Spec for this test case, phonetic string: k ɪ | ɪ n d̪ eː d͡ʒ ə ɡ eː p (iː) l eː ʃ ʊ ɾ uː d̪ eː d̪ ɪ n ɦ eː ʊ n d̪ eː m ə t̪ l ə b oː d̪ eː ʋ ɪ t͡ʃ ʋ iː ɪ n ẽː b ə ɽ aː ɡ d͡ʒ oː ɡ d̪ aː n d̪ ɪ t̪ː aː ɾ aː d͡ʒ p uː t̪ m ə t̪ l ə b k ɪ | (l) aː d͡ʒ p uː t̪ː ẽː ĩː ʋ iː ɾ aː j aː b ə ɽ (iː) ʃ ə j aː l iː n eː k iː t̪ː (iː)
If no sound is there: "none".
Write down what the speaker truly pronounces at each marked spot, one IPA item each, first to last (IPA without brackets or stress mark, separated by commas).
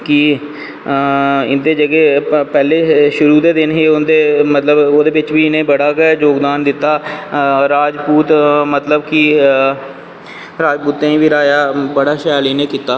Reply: ɛː, ɾ, aː, aː